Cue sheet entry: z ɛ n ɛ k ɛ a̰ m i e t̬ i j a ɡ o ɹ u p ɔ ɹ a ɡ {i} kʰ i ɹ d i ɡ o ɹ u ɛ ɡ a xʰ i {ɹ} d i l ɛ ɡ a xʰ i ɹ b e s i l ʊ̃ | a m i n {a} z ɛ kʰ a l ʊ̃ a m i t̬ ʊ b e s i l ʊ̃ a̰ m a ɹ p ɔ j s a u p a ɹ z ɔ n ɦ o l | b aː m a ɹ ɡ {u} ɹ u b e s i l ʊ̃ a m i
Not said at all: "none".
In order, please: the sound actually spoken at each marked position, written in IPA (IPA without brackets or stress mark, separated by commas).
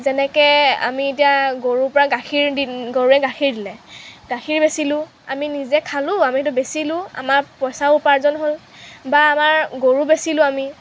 a, ɹ, i, o